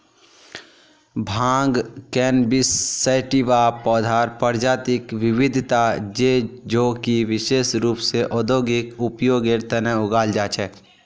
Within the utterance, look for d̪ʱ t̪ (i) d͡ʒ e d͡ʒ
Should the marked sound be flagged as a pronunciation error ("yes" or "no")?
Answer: yes